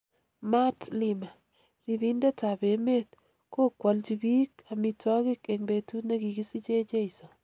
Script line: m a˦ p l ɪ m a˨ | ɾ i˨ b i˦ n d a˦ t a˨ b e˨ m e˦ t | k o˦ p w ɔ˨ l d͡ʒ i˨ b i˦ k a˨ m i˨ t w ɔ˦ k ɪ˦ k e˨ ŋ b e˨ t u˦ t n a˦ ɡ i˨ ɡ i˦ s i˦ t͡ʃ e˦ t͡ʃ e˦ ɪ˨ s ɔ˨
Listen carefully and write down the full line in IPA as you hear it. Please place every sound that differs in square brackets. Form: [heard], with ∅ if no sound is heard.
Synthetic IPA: m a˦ [t] l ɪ m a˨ | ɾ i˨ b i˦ n d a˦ t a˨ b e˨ m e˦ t | k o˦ [k] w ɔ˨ l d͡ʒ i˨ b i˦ k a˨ m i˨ t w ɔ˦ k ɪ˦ k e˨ ŋ b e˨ t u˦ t n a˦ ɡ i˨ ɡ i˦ s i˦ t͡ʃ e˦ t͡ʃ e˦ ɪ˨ s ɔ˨